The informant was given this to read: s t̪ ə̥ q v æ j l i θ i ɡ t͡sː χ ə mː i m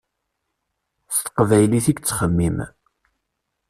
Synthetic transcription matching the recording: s t̪ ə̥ q v æ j l i θ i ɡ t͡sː χ ə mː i m